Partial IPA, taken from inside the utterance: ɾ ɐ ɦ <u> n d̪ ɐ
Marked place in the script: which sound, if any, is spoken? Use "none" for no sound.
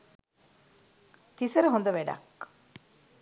o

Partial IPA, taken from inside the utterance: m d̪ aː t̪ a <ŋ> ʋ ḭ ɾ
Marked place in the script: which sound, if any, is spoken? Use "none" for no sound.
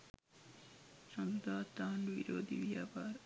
n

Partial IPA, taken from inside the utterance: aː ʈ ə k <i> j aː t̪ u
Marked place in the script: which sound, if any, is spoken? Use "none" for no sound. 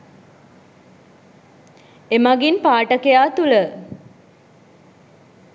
e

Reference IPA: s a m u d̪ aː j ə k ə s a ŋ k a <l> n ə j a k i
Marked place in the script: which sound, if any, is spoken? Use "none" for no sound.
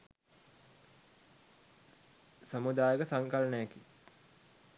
l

